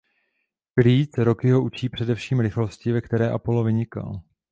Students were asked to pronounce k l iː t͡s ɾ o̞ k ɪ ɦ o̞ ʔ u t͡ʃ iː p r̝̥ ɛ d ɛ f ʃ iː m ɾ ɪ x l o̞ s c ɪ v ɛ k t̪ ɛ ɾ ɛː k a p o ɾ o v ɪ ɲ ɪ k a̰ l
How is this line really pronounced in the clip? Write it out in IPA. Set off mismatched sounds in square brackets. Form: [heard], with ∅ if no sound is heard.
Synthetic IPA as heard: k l iː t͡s ɾ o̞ k ɪ ɦ o̞ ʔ u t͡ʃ iː p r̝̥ ɛ d ɛ f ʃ iː m ɾ ɪ x l o̞ s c ɪ v ɛ k t̪ ɛ ɾ ɛː [ʔ] a p o [l] o v ɪ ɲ ɪ k a̰ l